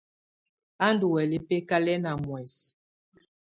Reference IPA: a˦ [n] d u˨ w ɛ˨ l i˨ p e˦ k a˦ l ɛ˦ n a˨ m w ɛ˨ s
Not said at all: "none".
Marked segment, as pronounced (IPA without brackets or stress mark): n